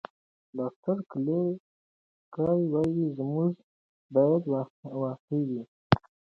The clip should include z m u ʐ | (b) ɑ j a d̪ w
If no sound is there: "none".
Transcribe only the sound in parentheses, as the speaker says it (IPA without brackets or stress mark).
b